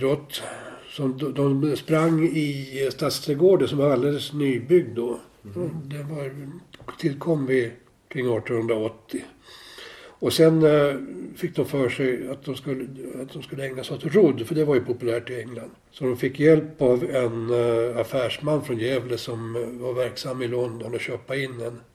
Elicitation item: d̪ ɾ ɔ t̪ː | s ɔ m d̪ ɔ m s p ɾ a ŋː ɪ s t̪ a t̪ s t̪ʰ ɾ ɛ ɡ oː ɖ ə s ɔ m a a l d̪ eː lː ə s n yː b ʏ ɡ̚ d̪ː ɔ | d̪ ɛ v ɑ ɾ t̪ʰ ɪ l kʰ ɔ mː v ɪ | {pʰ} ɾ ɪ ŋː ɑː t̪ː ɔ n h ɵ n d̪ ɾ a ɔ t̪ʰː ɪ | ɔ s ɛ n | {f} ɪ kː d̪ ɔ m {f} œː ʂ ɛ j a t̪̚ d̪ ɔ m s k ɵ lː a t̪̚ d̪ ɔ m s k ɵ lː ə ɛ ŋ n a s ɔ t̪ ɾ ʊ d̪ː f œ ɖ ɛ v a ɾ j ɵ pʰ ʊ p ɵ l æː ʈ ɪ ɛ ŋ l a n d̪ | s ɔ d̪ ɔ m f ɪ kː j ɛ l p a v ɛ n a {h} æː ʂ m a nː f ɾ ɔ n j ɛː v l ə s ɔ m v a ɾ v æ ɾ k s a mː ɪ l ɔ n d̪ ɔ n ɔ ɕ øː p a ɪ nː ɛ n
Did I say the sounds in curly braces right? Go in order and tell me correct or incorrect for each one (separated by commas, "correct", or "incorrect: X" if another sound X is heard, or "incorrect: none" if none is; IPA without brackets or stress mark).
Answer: incorrect: kʰ, correct, correct, incorrect: f